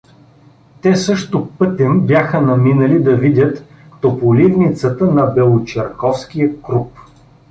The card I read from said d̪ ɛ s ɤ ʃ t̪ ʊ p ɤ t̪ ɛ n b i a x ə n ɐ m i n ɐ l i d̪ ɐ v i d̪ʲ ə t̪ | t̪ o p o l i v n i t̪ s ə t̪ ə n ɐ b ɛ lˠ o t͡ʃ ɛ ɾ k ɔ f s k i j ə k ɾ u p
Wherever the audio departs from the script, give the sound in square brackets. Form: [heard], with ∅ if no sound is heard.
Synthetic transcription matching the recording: [t̪] ɛ s ɤ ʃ t̪ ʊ p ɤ t̪ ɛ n b [j] a x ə n ɐ m i n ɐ l i d̪ ɐ v i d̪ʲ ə t̪ | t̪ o p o l i v n i t̪ s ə t̪ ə n ɐ b ɛ lˠ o t͡ʃ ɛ ɾ k ɔ f s k i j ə k ɾ u p